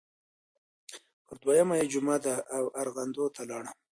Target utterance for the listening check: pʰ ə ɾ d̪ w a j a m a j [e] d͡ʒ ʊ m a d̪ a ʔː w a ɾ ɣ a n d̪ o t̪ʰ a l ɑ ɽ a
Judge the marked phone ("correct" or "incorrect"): correct